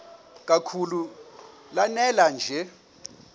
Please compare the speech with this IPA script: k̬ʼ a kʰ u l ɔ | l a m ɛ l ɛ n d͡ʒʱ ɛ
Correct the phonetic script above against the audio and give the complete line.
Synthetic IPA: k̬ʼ a kʰ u l u | l a n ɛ l a n d͡ʒʱ ɛ